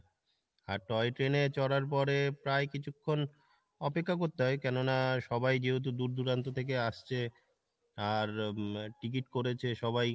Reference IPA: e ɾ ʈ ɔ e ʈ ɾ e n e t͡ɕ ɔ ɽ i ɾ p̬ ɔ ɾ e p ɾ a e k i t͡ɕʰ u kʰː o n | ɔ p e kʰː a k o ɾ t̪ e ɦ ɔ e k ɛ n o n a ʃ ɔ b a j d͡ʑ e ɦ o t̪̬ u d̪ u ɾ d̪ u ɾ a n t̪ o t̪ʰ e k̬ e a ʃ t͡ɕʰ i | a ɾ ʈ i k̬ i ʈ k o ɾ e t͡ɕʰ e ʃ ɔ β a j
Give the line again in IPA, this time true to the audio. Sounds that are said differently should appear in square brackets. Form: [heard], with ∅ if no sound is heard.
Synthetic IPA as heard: [a] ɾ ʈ ɔ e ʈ ɾ e n e t͡ɕ ɔ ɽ [a] ɾ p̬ ɔ ɾ e p ɾ a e k i t͡ɕʰ u kʰː o n | ɔ p e kʰː a k o ɾ t̪ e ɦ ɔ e k ɛ n o n a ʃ ɔ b a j d͡ʑ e ɦ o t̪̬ u d̪ u ɾ d̪ u ɾ a n t̪ o t̪ʰ e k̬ e a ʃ t͡ɕʰ [e] | a ɾ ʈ i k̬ i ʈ k o ɾ e t͡ɕʰ e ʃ ɔ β a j